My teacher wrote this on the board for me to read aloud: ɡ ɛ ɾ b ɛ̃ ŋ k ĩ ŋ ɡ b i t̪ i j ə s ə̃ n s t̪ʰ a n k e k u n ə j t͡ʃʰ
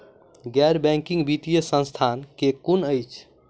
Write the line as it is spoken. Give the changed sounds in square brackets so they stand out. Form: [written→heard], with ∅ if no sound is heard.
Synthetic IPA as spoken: ɡ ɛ ɾ b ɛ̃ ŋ k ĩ ŋ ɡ b i t̪ i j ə s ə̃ n s t̪ʰ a n k e k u n ə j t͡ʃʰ